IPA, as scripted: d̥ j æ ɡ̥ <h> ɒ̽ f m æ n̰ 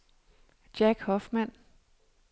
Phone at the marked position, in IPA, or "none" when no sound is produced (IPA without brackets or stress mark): h